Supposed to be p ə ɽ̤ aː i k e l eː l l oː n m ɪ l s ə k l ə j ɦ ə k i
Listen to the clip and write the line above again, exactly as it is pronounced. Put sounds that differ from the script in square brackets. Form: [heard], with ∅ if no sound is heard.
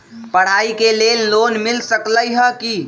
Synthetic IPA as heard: p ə ɽ̤ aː i k e l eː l l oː n m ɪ l s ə k l ə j ɦ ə k i